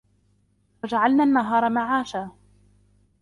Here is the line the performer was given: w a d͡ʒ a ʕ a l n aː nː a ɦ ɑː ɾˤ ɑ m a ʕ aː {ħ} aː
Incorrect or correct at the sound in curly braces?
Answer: incorrect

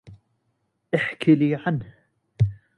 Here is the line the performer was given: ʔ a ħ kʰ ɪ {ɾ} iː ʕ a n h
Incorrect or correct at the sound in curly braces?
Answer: incorrect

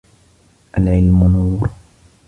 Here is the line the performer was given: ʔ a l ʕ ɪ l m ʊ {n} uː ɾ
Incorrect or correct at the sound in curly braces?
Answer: correct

